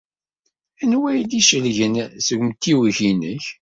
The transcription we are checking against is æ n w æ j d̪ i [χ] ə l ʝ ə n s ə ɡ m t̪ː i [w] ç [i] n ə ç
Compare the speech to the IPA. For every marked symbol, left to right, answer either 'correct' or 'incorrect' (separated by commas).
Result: incorrect, correct, correct